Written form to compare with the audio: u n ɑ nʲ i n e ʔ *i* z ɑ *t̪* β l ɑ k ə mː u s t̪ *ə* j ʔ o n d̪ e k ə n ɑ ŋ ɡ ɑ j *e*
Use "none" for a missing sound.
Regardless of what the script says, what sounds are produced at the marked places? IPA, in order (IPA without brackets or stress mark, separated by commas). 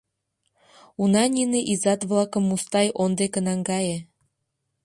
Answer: i, t̪, ɑ, e